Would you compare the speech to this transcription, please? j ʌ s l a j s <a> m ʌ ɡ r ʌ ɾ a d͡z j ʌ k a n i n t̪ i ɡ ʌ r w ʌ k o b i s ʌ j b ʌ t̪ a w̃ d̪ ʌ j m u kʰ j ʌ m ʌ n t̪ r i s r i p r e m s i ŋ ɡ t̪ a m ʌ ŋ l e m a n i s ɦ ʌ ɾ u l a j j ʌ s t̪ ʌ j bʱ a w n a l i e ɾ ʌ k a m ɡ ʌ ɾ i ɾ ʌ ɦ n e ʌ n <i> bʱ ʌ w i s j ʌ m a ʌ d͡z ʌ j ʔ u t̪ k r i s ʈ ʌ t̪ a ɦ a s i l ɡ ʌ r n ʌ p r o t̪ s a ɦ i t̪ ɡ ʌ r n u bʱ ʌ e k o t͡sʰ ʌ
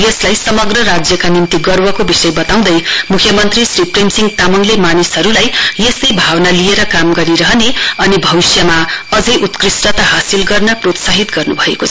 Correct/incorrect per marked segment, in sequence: incorrect: ʌ, correct

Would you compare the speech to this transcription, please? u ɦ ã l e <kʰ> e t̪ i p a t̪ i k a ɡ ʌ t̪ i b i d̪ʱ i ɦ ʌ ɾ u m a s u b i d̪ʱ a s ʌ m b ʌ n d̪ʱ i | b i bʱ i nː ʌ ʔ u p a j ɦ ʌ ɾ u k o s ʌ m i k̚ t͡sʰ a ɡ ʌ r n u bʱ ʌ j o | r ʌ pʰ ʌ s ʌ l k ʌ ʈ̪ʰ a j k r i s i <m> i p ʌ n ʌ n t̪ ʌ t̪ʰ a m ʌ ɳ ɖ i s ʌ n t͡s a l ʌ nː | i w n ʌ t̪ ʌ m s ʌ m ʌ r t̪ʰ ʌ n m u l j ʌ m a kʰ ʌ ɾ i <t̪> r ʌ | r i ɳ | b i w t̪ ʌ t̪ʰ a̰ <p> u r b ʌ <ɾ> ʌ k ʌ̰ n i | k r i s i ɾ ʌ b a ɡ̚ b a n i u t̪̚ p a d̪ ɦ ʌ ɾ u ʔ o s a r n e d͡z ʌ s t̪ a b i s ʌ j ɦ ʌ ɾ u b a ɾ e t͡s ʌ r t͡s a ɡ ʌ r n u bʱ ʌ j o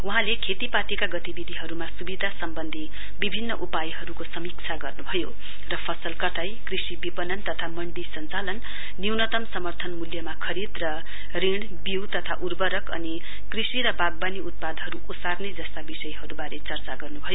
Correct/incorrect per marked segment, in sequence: correct, incorrect: b, incorrect: d̪, incorrect: ʔ, correct

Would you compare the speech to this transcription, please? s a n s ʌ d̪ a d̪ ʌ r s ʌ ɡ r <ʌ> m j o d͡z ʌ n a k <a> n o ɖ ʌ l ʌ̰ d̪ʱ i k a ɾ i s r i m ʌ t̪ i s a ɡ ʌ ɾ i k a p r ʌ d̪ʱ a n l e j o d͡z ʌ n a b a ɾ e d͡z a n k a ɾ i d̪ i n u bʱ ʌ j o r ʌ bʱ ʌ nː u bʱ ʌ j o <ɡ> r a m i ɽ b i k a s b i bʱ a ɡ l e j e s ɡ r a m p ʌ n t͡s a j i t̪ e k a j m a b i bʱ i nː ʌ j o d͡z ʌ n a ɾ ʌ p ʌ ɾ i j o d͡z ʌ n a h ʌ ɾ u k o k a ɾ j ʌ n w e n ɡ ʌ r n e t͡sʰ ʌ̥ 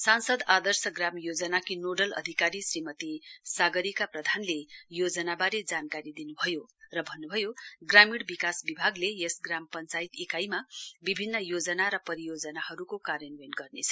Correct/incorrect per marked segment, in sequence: incorrect: a, incorrect: i, correct

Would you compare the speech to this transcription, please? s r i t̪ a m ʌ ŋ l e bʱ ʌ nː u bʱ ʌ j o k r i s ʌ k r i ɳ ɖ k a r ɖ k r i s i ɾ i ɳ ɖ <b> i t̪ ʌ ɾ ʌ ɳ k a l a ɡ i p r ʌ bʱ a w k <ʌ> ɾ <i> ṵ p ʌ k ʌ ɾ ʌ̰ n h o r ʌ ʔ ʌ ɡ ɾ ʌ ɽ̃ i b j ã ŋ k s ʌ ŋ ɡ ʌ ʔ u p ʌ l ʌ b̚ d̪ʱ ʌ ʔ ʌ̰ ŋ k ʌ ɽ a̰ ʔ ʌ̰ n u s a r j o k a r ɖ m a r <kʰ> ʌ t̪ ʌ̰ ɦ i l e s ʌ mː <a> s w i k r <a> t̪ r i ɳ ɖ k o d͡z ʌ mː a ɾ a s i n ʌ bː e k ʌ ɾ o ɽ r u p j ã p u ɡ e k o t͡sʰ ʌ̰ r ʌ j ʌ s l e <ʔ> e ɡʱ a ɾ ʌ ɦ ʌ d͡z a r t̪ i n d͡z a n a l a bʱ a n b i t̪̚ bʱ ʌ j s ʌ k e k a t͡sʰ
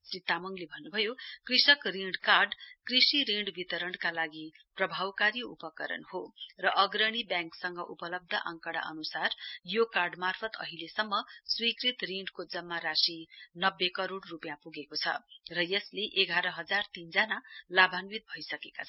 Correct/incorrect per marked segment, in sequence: correct, incorrect: a, correct, incorrect: pʰ, incorrect: ʌ, incorrect: i, correct

